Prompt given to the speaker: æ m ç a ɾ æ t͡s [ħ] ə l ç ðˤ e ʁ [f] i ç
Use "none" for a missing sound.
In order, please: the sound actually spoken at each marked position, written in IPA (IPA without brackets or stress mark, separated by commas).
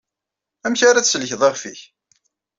s, f